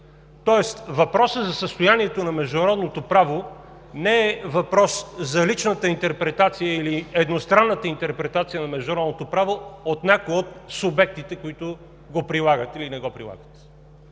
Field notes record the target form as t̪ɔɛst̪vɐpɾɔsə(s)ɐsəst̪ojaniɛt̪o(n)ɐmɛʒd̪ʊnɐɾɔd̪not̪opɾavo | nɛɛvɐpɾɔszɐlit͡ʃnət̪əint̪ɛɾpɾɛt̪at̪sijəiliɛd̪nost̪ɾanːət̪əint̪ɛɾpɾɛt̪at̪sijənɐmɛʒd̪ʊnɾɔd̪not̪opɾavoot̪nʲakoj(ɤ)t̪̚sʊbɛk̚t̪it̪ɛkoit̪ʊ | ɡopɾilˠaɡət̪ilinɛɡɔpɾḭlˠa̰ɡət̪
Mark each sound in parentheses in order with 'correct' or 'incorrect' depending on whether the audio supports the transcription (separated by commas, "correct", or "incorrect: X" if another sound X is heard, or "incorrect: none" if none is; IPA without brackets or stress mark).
incorrect: z, correct, incorrect: o